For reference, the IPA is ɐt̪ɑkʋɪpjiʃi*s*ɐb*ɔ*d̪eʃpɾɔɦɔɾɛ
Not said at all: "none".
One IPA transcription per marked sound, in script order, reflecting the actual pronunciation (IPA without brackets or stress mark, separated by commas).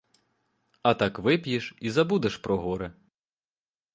z, u